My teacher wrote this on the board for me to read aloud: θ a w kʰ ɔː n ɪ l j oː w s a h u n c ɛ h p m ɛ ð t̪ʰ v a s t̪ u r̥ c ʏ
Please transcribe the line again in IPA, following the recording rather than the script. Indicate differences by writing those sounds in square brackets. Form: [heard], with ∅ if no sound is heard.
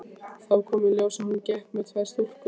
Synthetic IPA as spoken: θ a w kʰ ɔː [m] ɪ l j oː w s a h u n c ɛ h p m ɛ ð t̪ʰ v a s t̪ u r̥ [k] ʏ